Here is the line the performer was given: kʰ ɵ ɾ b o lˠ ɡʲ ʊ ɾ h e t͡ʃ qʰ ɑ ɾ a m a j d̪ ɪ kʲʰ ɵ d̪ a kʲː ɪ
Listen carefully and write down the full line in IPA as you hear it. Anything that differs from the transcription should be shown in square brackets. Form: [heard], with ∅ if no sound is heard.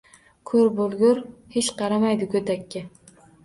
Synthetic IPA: kʰ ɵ ɾ b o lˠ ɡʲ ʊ ɾ h e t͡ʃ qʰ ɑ ɾ a m a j d̪ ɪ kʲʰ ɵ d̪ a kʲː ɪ